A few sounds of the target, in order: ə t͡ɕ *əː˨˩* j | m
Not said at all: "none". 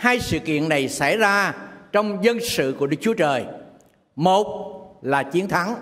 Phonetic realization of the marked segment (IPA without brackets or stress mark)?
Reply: əː˨˩